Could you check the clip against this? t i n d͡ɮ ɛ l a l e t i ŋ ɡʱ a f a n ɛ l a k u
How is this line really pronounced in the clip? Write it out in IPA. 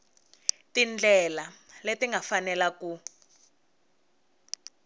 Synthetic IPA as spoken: t i n d͡ɮ ɛ l a l e t i ŋ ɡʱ a f a n ɛ l a k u